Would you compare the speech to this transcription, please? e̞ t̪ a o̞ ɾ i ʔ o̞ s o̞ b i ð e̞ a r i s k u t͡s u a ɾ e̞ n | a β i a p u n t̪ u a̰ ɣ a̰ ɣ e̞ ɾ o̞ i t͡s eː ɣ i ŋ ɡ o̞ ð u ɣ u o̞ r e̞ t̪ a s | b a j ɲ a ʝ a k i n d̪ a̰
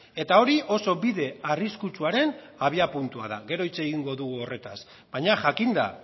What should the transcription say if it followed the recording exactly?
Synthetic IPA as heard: e̞ t̪ a o̞ ɾ i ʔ o̞ s o̞ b i ð e̞ a r i s k u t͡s u a ɾ e̞ n | a β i a p u n t̪ u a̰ ð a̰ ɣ e̞ ɾ o̞ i t͡s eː ɣ i ŋ ɡ o̞ ð u ɣ u o̞ r e̞ t̪ a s | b a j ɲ a ʝ a k i n d̪ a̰